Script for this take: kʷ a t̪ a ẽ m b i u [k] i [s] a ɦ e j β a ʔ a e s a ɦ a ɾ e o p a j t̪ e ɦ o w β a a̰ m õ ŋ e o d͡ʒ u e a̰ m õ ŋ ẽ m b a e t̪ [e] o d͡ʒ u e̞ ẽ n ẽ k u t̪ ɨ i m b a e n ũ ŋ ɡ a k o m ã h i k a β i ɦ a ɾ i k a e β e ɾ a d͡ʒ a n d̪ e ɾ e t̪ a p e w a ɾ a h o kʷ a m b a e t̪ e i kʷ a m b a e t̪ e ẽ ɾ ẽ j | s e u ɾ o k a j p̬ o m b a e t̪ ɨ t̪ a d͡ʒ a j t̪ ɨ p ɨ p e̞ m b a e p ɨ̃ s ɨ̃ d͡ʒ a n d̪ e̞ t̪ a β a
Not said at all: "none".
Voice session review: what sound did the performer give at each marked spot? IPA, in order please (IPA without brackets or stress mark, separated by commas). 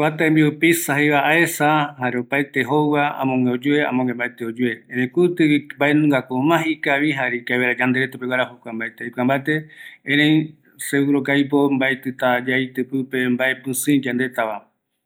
p, s, e